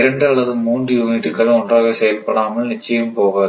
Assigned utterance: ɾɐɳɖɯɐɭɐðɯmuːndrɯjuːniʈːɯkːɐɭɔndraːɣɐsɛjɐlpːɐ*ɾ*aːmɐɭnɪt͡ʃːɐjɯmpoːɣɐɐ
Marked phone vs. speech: incorrect: ɽ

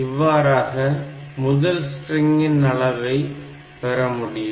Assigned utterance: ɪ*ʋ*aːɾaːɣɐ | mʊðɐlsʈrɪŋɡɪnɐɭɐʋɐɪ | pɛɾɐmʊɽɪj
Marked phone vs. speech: incorrect: ʋː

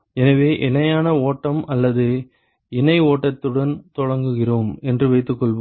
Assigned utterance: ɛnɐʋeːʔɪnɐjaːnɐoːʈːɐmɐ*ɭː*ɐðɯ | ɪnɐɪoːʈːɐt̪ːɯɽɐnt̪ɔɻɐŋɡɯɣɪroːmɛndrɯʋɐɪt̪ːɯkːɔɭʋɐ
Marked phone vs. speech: incorrect: lː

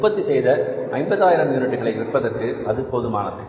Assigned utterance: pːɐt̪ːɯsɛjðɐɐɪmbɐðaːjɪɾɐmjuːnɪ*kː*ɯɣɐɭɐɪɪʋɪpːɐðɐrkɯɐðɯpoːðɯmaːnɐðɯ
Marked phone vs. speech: incorrect: ʈː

